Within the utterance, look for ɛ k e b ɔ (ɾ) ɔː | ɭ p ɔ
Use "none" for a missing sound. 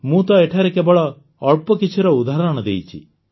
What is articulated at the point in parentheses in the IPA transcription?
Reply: ɭ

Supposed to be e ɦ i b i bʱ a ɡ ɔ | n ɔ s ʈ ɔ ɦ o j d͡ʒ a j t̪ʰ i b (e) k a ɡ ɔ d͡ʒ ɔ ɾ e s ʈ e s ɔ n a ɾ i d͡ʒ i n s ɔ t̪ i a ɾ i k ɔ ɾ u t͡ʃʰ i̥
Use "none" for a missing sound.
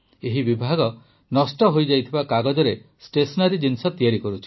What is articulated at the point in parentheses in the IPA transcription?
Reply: a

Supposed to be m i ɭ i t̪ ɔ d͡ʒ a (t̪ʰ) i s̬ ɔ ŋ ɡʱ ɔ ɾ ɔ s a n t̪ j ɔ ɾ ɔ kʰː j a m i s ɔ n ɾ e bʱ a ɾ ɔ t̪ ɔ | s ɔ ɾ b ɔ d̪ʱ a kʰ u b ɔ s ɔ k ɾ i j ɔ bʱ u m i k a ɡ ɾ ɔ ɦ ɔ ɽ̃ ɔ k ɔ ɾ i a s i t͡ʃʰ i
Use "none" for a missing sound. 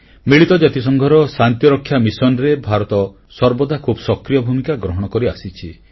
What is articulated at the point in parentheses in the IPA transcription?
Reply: t̪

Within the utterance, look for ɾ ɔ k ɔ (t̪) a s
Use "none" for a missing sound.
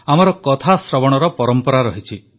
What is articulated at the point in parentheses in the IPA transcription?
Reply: t̪ʰ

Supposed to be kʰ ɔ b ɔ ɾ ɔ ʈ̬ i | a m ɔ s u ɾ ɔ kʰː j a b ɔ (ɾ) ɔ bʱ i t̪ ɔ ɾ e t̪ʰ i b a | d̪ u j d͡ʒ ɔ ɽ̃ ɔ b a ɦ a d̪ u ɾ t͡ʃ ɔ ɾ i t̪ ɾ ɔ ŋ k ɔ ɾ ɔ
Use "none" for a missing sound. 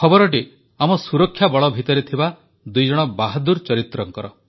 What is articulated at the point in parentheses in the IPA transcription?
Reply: ɭ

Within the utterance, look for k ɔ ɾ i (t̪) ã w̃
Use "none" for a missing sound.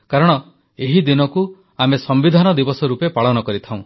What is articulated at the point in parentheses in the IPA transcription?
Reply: t̪ʰ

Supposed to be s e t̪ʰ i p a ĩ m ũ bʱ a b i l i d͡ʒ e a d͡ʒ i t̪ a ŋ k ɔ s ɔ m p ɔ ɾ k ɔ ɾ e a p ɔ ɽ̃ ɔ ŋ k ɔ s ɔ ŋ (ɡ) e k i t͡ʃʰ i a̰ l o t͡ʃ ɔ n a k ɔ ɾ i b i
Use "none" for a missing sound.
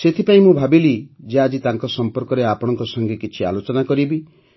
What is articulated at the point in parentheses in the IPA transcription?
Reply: ɡ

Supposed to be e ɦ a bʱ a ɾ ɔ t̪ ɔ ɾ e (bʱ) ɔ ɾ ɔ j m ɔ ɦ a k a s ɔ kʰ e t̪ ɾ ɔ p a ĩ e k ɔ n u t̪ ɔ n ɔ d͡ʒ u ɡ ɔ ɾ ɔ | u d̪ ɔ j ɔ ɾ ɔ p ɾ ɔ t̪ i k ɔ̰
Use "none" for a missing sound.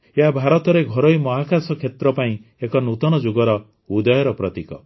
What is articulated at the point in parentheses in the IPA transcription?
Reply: ɡʱ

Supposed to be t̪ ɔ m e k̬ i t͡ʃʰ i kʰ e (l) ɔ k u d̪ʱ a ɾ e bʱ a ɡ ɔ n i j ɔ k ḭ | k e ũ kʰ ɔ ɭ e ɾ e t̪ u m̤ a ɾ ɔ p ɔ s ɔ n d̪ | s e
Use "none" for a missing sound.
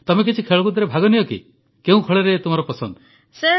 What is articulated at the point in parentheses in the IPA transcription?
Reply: ɭ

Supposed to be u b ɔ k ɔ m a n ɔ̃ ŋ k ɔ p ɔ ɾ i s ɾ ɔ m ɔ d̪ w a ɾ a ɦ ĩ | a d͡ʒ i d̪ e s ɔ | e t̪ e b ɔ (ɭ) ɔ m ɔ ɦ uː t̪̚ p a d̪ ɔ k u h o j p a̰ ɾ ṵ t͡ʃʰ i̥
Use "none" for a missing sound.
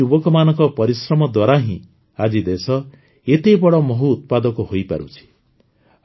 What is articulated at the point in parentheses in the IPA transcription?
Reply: ɽ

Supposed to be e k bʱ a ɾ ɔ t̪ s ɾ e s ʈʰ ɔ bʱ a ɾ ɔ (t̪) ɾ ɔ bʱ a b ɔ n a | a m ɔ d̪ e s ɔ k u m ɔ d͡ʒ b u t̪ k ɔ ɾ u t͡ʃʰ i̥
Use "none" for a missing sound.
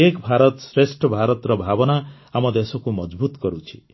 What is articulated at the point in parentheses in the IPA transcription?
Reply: t̪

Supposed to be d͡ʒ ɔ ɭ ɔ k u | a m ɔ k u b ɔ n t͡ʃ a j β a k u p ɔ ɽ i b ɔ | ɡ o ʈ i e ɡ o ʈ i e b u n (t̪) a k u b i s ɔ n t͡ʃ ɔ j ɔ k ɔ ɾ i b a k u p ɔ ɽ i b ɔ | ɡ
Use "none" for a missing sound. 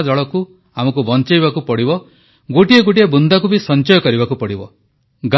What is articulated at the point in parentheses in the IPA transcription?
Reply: d̪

